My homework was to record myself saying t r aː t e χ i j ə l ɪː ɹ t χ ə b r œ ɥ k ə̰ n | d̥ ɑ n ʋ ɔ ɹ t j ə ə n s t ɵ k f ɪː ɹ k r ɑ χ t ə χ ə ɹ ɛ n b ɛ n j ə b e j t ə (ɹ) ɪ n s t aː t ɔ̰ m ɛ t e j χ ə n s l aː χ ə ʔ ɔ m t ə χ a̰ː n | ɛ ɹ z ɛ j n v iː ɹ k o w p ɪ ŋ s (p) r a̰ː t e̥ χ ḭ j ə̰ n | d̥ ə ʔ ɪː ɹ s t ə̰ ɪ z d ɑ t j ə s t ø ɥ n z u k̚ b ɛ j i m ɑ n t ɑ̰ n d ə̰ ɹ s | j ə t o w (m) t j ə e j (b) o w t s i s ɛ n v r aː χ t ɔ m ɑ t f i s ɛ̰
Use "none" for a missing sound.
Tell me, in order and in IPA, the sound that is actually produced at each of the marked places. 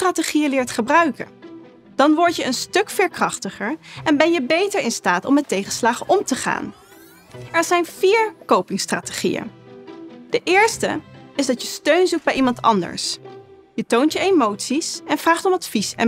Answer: ɹ, t, n, m

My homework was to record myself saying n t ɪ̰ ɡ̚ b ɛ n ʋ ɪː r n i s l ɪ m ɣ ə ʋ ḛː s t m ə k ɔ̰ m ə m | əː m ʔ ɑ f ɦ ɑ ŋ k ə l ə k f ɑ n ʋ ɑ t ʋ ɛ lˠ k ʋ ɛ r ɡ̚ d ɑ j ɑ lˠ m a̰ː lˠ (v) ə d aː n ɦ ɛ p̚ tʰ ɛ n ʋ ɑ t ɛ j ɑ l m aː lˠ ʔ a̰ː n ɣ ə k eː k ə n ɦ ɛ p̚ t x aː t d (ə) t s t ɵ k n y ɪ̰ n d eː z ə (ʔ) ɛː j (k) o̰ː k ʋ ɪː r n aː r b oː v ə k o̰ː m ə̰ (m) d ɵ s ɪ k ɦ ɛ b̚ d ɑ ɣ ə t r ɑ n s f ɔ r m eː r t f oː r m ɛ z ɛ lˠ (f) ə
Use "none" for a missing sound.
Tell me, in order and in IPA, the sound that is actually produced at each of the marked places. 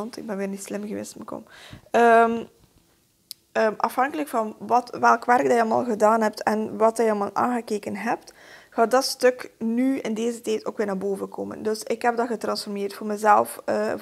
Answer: ɣ, ɑ, t, t, n, f

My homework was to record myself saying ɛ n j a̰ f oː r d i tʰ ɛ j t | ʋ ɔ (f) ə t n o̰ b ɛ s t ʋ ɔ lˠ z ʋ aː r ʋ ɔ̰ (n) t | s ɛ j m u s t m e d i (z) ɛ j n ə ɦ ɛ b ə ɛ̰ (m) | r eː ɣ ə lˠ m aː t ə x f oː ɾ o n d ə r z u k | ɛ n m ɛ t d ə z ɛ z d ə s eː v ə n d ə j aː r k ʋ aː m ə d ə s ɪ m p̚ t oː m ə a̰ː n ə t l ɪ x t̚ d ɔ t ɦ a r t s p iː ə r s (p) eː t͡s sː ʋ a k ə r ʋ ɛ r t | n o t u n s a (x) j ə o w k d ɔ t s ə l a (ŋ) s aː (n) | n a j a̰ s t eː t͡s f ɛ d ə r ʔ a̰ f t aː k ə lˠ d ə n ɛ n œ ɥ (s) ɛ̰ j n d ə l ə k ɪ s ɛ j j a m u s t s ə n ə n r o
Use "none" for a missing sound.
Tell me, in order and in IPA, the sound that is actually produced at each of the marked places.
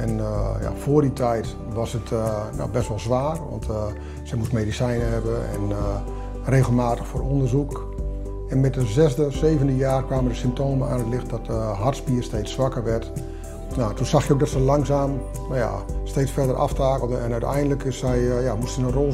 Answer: s, n, s, n, t, x, ŋ, m, t

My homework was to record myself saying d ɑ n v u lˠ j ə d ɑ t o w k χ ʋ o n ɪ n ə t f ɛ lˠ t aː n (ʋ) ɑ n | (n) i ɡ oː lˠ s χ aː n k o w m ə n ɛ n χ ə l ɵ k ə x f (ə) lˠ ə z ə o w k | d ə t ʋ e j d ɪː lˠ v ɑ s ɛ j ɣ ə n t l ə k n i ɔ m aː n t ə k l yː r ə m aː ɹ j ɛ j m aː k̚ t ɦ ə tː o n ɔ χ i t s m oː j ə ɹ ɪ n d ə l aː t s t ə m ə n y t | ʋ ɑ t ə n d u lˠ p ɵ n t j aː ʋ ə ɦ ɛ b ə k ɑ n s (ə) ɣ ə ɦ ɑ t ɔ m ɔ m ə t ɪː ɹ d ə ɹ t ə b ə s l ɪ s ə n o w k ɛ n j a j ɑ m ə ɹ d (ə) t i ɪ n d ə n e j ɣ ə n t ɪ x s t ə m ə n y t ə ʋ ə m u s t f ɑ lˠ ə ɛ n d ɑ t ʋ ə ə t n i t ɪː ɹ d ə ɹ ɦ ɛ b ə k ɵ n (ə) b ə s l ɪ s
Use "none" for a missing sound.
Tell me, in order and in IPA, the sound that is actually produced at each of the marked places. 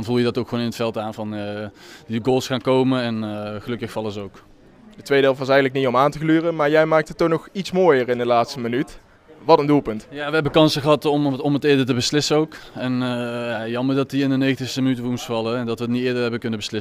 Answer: v, d, ɑ, ə, ɑ, ə

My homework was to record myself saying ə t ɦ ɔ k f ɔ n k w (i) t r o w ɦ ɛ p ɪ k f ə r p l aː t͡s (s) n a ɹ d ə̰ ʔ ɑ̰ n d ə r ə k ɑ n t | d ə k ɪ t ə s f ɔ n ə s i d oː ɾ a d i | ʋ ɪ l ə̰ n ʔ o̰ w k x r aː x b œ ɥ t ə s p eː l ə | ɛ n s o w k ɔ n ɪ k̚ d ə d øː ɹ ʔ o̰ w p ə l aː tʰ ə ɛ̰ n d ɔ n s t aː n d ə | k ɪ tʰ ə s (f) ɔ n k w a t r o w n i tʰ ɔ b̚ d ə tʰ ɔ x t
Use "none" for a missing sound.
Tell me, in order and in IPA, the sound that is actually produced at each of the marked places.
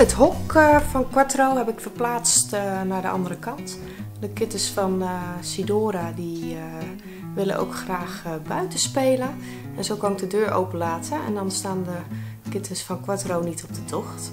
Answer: a, t, f

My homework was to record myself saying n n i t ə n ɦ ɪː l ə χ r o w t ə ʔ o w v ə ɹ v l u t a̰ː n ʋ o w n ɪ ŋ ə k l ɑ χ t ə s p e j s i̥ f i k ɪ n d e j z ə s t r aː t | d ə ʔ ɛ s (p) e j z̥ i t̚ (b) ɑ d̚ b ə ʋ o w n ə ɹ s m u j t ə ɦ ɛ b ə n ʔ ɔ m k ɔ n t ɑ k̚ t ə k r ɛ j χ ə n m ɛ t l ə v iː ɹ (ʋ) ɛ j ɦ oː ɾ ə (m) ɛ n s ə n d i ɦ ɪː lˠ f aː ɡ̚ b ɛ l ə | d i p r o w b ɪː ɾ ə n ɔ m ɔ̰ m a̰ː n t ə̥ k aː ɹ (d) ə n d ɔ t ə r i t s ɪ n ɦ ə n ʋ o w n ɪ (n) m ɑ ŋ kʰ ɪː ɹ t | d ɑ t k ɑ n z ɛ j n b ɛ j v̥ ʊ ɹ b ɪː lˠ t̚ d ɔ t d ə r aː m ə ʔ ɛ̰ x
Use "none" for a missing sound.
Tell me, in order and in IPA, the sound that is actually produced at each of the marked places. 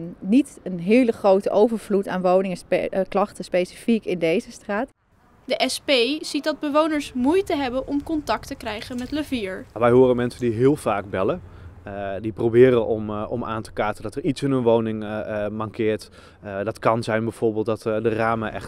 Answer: p, d, ʋ, m, t, ŋ

